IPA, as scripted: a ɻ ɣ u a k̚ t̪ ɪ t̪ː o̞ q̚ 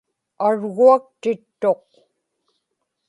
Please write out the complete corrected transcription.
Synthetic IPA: a ɻ ɣ u a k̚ t̪ ɪ t̪ː o̞ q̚